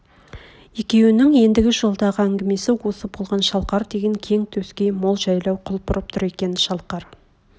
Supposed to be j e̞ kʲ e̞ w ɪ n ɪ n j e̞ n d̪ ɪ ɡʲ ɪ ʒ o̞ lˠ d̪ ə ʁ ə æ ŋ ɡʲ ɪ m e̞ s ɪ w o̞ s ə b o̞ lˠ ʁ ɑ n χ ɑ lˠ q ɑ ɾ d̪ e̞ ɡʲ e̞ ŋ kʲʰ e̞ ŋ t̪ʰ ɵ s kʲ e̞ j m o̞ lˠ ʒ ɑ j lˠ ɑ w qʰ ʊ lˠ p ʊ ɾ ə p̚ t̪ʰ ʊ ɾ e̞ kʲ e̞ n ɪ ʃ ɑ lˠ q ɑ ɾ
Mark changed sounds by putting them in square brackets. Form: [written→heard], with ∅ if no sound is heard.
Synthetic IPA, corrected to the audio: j e̞ kʲ e̞ w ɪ n ɪ [n→ŋ] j e̞ n d̪ ɪ ɡʲ ɪ ʒ o̞ lˠ d̪ [ə→ɑ] ʁ ə æ ŋ ɡʲ ɪ m e̞ s ɪ w o̞ s ə b o̞ lˠ ʁ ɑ n [χ→ʃ] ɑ lˠ q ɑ ɾ d̪ e̞ ɡʲ e̞ ŋ kʲʰ e̞ ŋ t̪ʰ ɵ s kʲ e̞ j m o̞ lˠ ʒ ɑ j lˠ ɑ w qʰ ʊ lˠ p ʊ ɾ ə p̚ t̪ʰ ʊ ɾ e̞ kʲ e̞ n ɪ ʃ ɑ lˠ q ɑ ɾ